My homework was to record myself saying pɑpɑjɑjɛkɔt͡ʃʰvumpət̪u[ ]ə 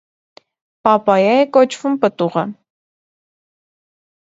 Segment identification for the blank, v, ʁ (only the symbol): ʁ